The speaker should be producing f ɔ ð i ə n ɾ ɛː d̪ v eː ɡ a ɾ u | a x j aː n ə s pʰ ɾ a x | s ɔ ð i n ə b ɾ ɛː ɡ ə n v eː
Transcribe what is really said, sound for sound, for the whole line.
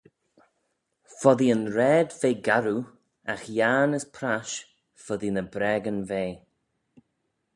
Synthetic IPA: f ɔ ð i ə n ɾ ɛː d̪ v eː ɡ a ɾ u | a x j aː n ə s pʰ ɾ a ʃ | f ɔ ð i n ə b ɾ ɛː ɡ ə n v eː